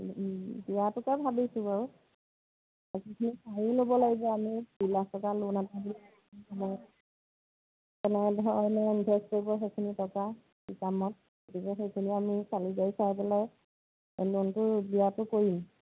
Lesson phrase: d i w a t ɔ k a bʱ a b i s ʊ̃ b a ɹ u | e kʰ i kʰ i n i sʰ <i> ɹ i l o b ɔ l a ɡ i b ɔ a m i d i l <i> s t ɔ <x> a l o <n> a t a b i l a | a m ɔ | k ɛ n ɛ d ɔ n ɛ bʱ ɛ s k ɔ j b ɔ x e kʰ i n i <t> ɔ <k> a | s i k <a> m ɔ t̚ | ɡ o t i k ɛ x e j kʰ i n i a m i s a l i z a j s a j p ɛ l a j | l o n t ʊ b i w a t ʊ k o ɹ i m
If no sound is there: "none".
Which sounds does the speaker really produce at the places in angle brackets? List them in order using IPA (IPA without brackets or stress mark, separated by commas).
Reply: a, a, k, n, t, k, a